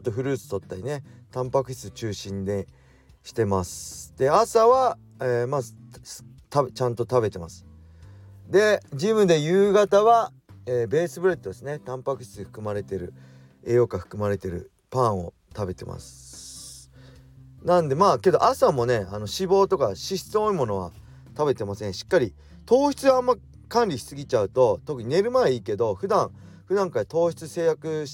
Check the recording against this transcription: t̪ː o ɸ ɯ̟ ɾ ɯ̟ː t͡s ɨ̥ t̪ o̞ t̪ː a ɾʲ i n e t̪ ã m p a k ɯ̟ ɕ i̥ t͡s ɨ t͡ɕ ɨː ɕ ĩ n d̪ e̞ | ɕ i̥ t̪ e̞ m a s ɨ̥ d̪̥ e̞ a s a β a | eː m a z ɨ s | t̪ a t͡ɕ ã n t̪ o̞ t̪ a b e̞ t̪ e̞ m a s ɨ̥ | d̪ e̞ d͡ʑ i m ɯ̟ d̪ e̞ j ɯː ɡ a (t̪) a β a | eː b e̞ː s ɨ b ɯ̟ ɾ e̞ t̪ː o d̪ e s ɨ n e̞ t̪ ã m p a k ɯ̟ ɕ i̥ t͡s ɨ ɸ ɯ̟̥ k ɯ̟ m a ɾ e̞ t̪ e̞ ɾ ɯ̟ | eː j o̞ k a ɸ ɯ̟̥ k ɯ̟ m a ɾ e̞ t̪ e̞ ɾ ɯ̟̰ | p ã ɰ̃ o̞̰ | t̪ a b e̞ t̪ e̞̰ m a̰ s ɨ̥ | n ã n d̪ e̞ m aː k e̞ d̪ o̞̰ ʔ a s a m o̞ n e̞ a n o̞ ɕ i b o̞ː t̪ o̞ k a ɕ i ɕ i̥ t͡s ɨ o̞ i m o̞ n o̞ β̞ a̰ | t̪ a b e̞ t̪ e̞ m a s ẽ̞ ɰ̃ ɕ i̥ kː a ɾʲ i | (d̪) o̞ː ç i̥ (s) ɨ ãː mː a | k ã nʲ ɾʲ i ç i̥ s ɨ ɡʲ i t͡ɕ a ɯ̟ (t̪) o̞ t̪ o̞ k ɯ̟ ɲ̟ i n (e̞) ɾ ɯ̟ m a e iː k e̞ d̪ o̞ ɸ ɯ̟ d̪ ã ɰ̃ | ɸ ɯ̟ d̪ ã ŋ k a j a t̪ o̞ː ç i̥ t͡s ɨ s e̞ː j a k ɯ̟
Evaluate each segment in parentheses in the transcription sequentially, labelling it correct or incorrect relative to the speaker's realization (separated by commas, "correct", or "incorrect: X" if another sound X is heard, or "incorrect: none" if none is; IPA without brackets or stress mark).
correct, incorrect: t̪, incorrect: t͡s, correct, correct